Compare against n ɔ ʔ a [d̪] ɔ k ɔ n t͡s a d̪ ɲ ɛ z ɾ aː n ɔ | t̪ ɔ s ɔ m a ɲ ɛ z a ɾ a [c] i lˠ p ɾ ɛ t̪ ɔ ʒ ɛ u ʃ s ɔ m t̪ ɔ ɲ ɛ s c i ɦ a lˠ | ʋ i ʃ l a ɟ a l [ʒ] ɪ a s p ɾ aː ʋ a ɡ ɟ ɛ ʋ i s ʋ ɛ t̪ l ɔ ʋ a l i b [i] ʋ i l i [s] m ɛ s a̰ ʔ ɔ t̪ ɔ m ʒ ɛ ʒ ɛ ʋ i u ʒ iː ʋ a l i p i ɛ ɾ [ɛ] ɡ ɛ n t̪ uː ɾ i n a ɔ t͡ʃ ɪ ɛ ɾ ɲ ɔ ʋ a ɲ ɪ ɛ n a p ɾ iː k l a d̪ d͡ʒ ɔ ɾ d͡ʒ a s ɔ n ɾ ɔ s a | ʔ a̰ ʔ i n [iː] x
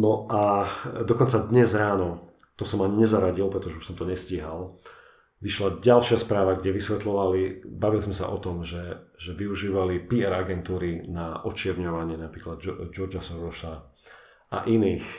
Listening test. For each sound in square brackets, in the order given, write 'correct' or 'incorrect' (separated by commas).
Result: correct, incorrect, incorrect, incorrect, incorrect, incorrect, correct